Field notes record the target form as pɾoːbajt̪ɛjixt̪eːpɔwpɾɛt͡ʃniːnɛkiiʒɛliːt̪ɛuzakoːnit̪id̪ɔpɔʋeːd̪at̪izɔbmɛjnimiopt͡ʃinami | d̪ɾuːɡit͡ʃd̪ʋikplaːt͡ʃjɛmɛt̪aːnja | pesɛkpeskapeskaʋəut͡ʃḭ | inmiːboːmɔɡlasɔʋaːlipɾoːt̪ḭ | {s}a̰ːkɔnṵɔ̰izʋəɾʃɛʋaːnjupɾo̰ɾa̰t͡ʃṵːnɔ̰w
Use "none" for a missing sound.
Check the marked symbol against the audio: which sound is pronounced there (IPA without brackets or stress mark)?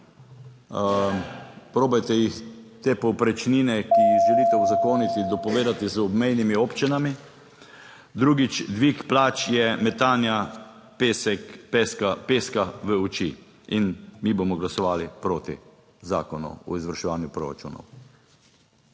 z